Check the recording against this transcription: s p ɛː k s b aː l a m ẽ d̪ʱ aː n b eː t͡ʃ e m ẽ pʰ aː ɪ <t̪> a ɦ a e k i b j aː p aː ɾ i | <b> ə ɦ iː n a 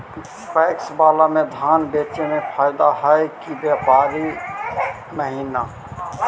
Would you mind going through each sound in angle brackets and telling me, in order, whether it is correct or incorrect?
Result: incorrect: d̪, incorrect: m

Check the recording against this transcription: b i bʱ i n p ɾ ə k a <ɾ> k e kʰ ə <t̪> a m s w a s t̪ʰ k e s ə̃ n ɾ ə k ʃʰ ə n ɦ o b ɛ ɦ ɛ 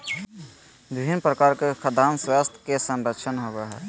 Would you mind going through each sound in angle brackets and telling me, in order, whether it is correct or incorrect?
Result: correct, incorrect: d̪

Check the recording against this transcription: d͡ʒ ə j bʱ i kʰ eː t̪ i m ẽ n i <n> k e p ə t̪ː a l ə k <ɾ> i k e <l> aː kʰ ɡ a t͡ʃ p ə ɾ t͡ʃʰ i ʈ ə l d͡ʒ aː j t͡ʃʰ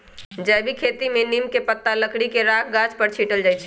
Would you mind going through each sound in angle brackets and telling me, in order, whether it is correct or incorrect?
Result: incorrect: m, incorrect: ɽ, incorrect: ɾ

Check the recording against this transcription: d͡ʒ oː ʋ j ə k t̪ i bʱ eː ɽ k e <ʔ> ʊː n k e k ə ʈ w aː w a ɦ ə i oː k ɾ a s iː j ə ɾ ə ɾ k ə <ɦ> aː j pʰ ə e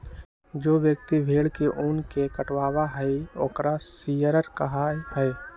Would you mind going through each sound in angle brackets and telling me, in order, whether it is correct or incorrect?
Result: correct, correct

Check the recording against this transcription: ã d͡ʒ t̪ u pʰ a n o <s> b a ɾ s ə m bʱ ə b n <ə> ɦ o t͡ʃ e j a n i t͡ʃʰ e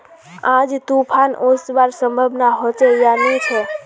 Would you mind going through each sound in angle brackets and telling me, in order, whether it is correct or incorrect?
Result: correct, incorrect: a

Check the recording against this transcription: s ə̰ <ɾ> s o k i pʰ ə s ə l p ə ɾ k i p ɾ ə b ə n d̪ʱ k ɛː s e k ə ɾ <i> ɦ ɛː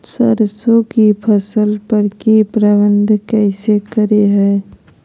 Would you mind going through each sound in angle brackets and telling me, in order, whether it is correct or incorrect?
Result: correct, incorrect: e

